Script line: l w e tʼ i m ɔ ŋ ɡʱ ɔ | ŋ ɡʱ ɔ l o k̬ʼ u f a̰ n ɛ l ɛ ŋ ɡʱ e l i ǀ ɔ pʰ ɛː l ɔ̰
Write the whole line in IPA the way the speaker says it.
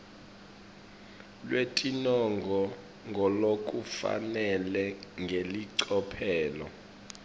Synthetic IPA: l w e tʼ i n ɔ ŋ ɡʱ ɔ | ŋ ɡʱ ɔ l o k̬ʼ u f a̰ n ɛ l ɛ ŋ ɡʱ e l i ǀ ɔ pʰ ɛː l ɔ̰